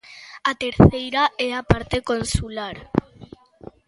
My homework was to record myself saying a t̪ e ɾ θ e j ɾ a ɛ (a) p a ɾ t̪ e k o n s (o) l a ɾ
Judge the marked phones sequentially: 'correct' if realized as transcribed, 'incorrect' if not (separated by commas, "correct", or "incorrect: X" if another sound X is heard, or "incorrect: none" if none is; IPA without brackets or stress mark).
correct, incorrect: u